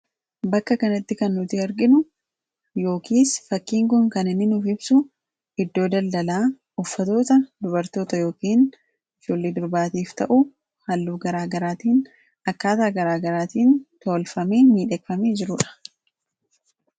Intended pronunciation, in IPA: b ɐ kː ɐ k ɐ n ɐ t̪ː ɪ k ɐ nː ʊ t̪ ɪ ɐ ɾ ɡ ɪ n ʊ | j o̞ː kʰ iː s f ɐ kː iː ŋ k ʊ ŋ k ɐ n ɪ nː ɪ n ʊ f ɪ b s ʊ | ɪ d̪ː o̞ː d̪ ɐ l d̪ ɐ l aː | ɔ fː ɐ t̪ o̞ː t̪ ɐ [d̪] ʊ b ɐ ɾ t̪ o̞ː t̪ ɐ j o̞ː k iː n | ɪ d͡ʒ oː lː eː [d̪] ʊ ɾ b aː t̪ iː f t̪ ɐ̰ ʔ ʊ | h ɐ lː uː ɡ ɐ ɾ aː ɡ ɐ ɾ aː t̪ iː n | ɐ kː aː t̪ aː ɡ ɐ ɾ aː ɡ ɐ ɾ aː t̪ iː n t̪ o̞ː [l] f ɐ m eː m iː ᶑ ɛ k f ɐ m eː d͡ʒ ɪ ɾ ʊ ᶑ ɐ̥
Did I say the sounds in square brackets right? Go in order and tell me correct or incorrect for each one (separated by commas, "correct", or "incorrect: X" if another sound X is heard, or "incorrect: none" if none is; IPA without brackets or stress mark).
correct, correct, correct